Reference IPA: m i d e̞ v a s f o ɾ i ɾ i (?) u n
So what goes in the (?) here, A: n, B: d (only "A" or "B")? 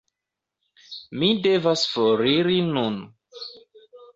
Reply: A